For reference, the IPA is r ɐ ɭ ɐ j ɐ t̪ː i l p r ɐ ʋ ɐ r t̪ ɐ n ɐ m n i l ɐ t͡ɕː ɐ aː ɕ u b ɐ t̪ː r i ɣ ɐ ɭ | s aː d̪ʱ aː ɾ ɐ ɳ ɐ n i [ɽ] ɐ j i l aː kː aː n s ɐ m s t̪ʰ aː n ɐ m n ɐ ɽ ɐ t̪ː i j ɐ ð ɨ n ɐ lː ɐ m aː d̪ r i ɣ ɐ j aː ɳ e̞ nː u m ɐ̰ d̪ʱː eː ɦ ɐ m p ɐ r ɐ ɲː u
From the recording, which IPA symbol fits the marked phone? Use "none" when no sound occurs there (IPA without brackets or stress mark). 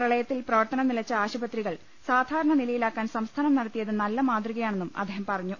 l